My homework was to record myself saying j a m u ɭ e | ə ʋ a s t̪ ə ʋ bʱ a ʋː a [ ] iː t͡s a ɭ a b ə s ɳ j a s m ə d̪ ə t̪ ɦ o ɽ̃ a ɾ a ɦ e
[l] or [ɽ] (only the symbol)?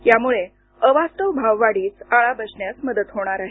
ɽ